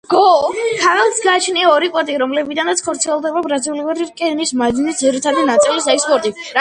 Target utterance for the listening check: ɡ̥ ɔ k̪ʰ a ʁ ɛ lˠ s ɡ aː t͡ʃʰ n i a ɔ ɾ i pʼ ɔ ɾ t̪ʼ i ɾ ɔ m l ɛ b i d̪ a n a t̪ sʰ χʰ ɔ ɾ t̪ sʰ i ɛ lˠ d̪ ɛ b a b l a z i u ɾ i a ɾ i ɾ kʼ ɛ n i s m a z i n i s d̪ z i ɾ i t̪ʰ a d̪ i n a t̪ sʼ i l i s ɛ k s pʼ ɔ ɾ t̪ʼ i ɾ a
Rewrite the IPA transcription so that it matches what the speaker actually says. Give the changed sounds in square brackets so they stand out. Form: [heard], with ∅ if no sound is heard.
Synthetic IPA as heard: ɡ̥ ɔ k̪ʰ a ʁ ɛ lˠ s ɡ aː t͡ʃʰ n i a ɔ ɾ i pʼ ɔ ɾ t̪ʼ i ɾ ɔ m l ɛ b i d̪ a n a t̪ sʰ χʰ ɔ ɾ t̪ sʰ i ɛ lˠ d̪ ɛ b a b [ɾ] a z i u [l] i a ɾ i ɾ kʼ ɛ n i s m a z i n i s d̪ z i ɾ i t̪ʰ a d̪ i n a t̪ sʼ i l i s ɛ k s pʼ ɔ ɾ t̪ʼ i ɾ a